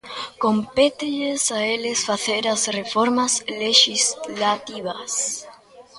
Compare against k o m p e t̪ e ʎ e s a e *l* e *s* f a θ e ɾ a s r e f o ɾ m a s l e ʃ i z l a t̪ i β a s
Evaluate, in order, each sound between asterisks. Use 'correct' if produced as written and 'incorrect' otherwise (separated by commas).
correct, correct